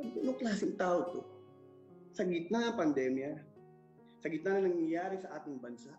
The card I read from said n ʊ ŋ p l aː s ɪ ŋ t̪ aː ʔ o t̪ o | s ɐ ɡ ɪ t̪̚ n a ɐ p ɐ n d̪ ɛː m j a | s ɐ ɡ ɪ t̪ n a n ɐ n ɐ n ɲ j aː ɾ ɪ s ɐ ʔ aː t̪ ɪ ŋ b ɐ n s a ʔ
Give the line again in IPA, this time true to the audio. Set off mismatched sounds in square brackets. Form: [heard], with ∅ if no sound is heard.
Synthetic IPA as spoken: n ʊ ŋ [k] l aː s ɪ ŋ t̪ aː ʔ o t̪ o | s ɐ ɡ ɪ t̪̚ n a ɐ p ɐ n d̪ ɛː m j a | s ɐ ɡ ɪ t̪ n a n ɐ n ɐ [ŋ] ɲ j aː ɾ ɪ s ɐ ʔ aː t̪ ɪ ŋ b ɐ n s a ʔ